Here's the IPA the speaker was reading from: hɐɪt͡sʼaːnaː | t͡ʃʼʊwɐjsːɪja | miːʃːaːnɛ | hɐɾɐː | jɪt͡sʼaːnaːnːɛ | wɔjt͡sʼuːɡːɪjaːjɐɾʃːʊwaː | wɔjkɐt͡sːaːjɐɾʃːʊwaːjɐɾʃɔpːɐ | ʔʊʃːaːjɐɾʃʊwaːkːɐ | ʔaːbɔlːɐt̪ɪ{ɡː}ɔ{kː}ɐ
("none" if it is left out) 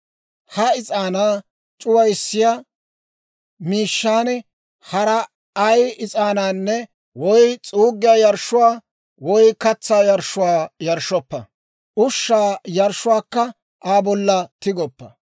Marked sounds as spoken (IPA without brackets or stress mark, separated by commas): ɡ, pː